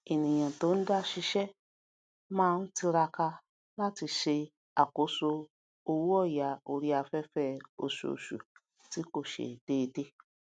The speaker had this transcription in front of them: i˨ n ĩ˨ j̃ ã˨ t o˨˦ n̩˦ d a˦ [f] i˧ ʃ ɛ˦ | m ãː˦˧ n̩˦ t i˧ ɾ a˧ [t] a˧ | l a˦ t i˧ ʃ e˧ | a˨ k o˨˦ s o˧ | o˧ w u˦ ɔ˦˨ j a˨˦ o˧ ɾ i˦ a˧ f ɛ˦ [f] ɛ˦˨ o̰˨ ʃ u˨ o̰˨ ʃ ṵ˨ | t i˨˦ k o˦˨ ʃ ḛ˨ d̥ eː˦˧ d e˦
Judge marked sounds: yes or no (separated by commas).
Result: no, no, yes